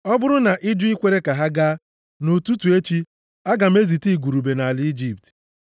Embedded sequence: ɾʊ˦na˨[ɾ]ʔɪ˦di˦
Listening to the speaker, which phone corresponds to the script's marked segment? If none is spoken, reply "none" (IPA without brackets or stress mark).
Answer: none